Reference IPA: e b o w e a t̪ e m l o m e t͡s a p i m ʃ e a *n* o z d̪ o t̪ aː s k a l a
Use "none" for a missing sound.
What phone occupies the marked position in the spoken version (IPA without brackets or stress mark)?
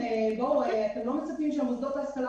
m